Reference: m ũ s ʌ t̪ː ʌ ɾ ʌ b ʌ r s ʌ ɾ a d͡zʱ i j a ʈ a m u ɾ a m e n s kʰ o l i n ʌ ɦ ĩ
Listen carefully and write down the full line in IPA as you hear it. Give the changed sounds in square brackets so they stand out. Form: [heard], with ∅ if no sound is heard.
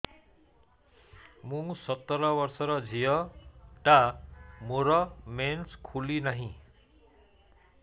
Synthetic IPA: m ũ s ʌ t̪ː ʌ ɾ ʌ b ʌ r s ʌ ɾ [ʌ] d͡zʱ i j [ʌ] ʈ a m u ɾ [ʌ] m e n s kʰ [u] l i n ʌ ɦ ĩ